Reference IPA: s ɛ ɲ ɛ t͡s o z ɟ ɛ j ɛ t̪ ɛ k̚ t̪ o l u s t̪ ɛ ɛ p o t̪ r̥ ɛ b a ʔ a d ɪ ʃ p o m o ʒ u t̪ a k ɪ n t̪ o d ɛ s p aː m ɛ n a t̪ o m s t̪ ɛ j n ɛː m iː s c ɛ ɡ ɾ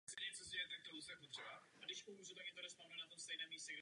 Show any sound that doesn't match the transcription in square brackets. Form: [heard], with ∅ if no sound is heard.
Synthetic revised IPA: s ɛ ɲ ɛ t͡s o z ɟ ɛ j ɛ t̪ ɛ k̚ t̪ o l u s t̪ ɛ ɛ p o t̪ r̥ ɛ b a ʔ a d ɪ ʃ p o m [u] ʒ u t̪ a k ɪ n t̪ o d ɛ s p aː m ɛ n a t̪ o m s t̪ ɛ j n ɛː m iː s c ɛ ɡ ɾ

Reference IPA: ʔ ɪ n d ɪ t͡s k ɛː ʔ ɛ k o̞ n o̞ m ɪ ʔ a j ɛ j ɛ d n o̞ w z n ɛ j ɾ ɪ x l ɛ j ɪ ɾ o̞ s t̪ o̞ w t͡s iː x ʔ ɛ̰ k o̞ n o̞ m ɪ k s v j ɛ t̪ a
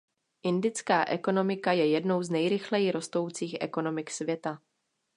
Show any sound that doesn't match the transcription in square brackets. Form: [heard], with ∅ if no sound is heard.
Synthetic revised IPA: ʔ ɪ n d ɪ t͡s k [aː] ʔ ɛ k o̞ n o̞ m ɪ [k] a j ɛ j ɛ d n o̞ w z n ɛ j ɾ ɪ x l ɛ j ɪ ɾ o̞ s t̪ o̞ w t͡s iː x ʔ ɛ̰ k o̞ n o̞ m ɪ k s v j ɛ t̪ a

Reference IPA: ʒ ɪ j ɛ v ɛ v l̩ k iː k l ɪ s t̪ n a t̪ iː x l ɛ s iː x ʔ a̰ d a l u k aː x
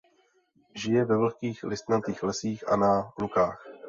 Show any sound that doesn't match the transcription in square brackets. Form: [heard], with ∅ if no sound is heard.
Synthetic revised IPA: ʒ ɪ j ɛ v ɛ v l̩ k iː [x] l ɪ s t̪ n a t̪ iː x l ɛ s iː x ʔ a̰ [n] a l u k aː x

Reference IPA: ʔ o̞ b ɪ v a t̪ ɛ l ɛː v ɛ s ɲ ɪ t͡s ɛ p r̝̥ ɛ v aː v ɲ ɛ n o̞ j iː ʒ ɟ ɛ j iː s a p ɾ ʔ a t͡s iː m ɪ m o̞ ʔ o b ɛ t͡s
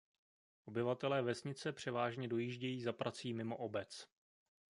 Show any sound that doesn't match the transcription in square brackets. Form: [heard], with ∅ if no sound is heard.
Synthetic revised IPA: ʔ o̞ b ɪ v a t̪ ɛ l ɛː v ɛ s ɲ ɪ t͡s ɛ p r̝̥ ɛ v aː [ʒ] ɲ ɛ [d] o̞ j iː ʒ ɟ ɛ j iː [z] a p ɾ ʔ a t͡s iː m ɪ m o̞ ʔ o b ɛ t͡s

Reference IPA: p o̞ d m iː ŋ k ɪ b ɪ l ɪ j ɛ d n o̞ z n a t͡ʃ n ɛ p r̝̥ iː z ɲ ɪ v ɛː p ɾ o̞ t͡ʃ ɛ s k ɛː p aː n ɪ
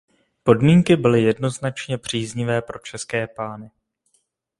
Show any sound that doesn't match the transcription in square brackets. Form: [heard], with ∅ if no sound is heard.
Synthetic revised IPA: p o̞ d m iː ŋ k ɪ b ɪ l ɪ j ɛ d n o̞ z n a t͡ʃ [ɲ] ɛ p r̝̥ iː z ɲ ɪ v ɛː p ɾ o̞ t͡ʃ ɛ s k ɛː p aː n ɪ

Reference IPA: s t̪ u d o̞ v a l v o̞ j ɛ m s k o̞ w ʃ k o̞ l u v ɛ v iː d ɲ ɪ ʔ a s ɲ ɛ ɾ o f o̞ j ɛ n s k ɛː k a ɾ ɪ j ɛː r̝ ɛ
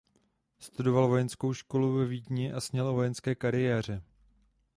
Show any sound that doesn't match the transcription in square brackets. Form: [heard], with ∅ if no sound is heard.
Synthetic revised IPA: s t̪ u d o̞ v a l v o̞ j ɛ [n] s k o̞ w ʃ k o̞ l u v ɛ v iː d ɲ ɪ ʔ a s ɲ ɛ [l] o [v] o̞ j ɛ n s k ɛː k a ɾ ɪ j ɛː r̝ ɛ

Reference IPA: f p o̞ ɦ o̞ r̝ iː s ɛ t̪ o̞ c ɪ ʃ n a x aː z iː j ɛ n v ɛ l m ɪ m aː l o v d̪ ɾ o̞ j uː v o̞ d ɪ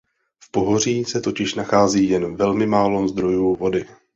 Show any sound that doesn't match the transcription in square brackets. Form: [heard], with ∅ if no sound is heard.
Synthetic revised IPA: f p o̞ ɦ o̞ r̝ iː s ɛ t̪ o̞ c ɪ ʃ n a x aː z iː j ɛ n v ɛ l m ɪ m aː l o [z] d̪ ɾ o̞ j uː v o̞ d ɪ

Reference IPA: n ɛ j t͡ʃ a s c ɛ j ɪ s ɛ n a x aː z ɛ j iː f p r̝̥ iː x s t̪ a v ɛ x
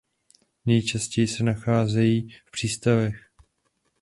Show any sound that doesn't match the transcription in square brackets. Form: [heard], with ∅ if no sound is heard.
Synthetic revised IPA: n ɛ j t͡ʃ a s c ɛ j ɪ s ɛ n a x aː z ɛ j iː f p r̝̥ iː [∅] s t̪ a v ɛ x

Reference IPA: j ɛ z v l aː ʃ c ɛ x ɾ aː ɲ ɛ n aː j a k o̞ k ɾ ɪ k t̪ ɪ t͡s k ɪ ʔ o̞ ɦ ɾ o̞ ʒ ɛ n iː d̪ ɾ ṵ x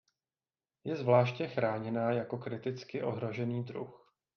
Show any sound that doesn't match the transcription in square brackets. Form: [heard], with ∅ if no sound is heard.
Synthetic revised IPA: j ɛ z v l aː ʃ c ɛ x ɾ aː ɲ ɛ n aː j a k o̞ k ɾ ɪ [∅] t̪ ɪ t͡s k ɪ ʔ o̞ ɦ ɾ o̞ ʒ ɛ n iː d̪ ɾ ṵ x

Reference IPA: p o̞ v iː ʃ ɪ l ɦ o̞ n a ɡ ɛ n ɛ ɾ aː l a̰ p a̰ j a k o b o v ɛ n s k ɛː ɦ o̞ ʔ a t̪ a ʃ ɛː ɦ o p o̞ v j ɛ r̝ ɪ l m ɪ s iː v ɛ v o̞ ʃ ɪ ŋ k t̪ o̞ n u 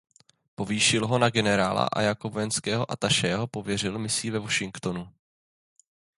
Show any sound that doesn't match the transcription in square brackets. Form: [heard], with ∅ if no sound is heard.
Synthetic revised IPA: p o̞ v iː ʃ ɪ l ɦ o̞ n a ɡ ɛ n ɛ ɾ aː l a̰ [ʔ] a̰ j a k o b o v ɛ n s k ɛː ɦ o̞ ʔ a t̪ a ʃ ɛː ɦ o p o̞ v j ɛ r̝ ɪ l m ɪ s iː v ɛ v o̞ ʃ ɪ ŋ k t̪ o̞ n u

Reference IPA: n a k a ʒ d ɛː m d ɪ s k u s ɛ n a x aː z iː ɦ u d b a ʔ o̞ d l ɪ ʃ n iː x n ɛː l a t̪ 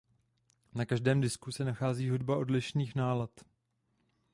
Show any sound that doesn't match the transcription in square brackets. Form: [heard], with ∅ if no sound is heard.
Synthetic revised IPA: n a k a ʒ d ɛː m d ɪ s k u s ɛ n a x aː z iː ɦ u d b a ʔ o̞ d l ɪ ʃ n iː x n [aː] l a t̪

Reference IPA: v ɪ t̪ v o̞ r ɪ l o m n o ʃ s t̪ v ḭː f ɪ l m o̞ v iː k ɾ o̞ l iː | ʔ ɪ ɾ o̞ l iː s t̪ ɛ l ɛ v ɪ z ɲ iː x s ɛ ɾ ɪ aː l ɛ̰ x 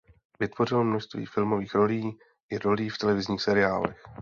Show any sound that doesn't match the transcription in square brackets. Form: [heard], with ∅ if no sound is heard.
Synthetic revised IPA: v ɪ t̪ v o̞ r ɪ l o m n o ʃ s t̪ v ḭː f ɪ l m o̞ v iː [x] ɾ o̞ l iː | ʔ ɪ ɾ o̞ l iː [f] t̪ ɛ l ɛ v ɪ z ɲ iː x s ɛ ɾ ɪ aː l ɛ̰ x

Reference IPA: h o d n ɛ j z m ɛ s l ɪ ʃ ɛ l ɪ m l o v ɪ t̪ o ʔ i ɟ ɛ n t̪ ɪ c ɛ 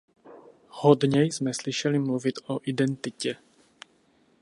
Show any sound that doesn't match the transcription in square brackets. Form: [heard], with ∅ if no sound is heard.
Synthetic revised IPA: h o d [ɲ] ɛ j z m ɛ s l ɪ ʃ ɛ l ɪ m l [u] v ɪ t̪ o ʔ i [d] ɛ n t̪ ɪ c ɛ

